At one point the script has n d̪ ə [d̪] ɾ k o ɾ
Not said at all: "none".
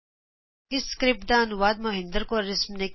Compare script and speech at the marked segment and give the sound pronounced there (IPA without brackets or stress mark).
none